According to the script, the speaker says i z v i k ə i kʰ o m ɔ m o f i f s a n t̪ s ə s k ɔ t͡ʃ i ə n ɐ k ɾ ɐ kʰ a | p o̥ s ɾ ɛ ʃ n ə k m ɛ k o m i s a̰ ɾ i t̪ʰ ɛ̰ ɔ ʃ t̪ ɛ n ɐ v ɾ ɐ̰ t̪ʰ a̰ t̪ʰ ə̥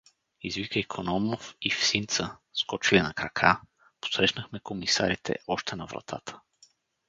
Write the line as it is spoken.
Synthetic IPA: i z v i k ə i kʰ o n ɔ m o f i f s i n t̪ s ə s k ɔ t͡ʃ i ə n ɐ k ɾ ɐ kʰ a | p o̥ s ɾ ɛ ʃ n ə x m ɛ k o m i s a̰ ɾ i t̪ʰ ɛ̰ ɔ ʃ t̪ ɛ n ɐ v ɾ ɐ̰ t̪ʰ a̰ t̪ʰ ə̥